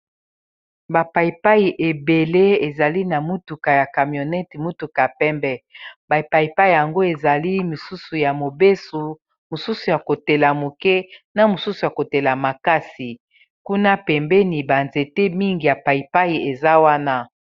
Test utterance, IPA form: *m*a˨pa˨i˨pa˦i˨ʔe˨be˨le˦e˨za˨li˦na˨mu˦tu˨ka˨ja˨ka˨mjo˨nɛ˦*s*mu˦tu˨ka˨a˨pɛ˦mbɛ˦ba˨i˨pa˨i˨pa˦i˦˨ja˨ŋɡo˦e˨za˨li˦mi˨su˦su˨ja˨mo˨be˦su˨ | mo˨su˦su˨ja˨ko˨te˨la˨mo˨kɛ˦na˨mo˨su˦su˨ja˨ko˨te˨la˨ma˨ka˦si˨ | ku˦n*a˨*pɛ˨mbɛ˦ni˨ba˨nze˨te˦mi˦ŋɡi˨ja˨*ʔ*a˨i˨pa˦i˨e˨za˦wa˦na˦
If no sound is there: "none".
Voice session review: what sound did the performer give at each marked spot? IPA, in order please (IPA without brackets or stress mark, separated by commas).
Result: b, t, a˦, p